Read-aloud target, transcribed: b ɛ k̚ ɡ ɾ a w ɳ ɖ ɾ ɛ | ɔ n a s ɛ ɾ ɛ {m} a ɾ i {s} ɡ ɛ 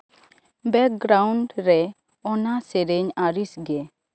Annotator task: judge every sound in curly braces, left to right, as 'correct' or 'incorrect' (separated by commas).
incorrect, correct